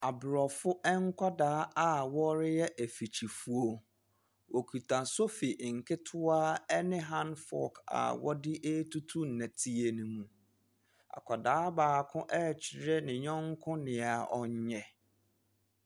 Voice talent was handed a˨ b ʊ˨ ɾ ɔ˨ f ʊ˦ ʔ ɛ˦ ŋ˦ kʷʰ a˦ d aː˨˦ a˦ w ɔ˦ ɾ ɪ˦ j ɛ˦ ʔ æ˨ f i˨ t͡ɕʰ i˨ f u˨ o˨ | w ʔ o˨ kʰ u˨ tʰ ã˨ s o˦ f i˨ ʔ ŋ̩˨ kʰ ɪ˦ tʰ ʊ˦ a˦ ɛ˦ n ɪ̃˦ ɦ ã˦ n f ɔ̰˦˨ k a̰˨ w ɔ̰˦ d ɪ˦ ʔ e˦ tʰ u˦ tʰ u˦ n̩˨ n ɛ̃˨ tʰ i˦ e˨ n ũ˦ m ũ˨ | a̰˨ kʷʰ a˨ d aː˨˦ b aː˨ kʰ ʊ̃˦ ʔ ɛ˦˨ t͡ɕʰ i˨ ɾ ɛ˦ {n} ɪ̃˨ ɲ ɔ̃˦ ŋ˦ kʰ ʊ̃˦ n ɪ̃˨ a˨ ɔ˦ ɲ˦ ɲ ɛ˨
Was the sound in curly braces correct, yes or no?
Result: yes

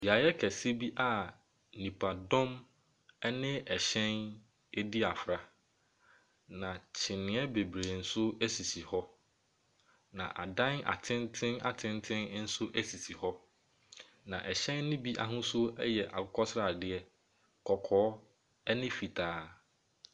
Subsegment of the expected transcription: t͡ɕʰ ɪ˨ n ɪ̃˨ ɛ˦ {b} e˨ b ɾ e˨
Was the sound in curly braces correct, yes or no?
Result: yes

